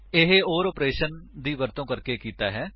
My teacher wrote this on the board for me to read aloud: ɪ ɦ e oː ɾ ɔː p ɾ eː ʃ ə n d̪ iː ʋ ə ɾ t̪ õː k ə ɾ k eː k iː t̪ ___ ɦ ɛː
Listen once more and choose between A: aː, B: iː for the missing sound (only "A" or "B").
A